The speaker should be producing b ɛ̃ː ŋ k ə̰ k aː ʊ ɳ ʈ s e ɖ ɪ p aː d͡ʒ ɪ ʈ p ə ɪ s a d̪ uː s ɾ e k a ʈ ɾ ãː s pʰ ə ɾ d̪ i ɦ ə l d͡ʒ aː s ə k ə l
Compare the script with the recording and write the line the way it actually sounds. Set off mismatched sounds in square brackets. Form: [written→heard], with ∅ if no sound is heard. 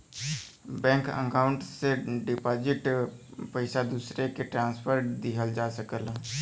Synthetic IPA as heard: b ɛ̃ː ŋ k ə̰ k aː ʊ ɳ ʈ s e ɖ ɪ p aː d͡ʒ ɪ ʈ p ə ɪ s a d̪ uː s ɾ e k [a→e] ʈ ɾ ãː s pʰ ə ɾ d̪ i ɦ ə l d͡ʒ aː s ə k ə l